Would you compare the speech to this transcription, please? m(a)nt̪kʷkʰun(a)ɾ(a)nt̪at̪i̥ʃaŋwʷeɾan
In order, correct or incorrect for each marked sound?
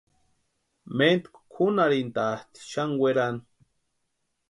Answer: incorrect, correct, incorrect

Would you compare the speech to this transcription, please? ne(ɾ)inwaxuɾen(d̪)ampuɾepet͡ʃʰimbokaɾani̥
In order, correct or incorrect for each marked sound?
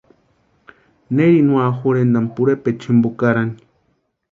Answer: correct, correct

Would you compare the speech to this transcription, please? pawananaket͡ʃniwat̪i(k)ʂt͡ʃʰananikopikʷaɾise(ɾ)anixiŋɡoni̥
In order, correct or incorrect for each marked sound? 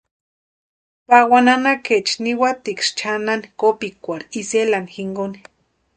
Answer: correct, incorrect

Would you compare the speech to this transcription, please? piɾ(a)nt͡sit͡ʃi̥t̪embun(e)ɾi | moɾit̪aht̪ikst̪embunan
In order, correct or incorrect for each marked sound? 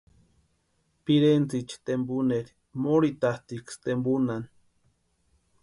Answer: incorrect, correct

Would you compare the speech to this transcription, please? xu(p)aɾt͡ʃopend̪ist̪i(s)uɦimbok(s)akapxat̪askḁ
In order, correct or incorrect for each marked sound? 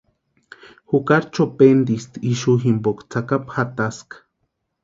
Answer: incorrect, incorrect, incorrect

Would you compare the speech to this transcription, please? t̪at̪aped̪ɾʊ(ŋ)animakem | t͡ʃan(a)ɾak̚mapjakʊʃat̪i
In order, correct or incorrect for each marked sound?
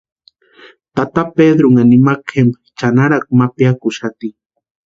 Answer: correct, correct

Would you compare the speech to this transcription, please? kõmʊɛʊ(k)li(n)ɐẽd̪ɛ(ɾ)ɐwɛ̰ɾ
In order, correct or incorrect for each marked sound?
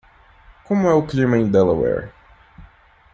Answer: correct, incorrect, incorrect

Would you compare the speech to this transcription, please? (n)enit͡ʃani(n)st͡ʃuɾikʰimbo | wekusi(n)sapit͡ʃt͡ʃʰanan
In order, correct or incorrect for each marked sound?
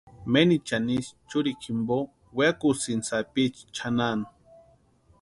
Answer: incorrect, incorrect, correct

